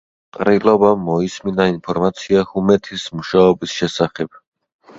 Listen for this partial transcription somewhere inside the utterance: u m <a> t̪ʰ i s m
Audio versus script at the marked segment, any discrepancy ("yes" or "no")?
yes